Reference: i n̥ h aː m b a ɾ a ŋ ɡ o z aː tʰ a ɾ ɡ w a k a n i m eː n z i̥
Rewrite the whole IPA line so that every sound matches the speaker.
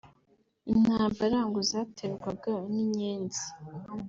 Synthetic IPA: i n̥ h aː m b a ɾ a ŋ ɡ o z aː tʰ e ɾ ɡ w a ɡ a n i ɲ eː n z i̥